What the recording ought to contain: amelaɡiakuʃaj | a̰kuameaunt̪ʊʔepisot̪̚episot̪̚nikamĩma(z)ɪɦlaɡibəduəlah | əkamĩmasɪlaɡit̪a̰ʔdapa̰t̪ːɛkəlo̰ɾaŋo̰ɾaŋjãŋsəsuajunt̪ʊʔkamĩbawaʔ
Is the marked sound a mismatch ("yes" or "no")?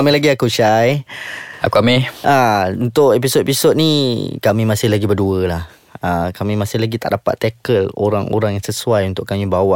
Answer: yes